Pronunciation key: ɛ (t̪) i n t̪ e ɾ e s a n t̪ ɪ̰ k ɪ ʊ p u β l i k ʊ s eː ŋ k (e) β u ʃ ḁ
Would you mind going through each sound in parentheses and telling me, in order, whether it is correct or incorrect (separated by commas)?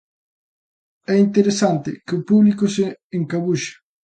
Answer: incorrect, incorrect